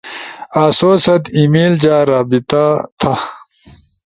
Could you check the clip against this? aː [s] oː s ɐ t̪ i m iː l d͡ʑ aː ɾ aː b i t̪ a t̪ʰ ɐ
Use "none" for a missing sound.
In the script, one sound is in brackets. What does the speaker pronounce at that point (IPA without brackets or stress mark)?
s